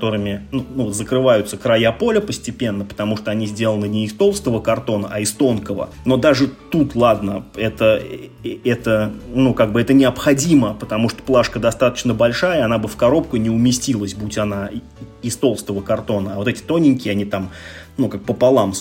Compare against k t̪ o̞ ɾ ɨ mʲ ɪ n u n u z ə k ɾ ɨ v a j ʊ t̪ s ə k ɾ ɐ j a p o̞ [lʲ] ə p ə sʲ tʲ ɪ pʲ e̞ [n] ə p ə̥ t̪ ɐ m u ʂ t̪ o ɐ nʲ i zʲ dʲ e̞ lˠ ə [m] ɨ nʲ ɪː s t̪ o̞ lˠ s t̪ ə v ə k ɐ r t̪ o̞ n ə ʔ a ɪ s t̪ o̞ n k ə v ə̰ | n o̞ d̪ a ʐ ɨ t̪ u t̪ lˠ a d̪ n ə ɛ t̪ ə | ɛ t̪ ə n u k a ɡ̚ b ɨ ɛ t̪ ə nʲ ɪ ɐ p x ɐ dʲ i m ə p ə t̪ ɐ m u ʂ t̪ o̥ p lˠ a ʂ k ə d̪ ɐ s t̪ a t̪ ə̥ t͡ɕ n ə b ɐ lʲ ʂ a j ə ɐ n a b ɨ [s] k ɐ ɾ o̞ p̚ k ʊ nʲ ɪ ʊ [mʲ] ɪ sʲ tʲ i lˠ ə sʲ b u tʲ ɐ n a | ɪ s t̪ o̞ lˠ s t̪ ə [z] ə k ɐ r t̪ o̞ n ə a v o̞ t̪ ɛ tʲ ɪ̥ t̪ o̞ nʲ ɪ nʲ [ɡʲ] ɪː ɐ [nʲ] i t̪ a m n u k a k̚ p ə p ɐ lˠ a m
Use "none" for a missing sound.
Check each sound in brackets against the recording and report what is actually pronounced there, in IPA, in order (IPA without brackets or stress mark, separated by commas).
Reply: lʲ, nː, n, f, mʲ, v, kʲ, nʲ